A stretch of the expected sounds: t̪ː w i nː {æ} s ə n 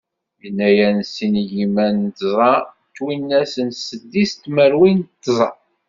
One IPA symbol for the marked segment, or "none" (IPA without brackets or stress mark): æ